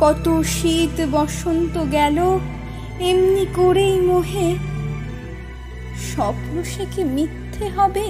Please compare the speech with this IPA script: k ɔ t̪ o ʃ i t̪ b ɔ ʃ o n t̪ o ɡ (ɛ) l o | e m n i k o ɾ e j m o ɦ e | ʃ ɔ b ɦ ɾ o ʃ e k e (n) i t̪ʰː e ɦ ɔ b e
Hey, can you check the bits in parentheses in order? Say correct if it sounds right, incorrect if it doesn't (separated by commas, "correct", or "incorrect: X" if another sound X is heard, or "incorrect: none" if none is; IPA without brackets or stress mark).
correct, incorrect: m